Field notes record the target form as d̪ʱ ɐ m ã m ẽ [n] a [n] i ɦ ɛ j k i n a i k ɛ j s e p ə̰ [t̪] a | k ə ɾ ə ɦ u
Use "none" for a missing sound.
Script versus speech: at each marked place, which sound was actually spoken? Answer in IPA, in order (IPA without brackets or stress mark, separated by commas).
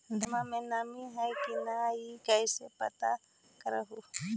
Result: n, m, t̪